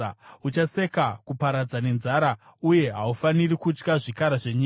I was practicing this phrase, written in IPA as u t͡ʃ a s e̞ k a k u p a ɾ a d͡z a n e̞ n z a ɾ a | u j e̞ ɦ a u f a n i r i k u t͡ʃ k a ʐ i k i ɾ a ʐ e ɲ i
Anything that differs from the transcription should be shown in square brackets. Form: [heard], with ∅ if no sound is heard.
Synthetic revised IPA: u t͡ʃ a s e̞ k a k u p a ɾ a d͡z a n e̞ n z a ɾ a | u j e̞ ɦ a u f a n i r i k u t͡ʃ k a ʐ i k [a] ɾ a ʐ e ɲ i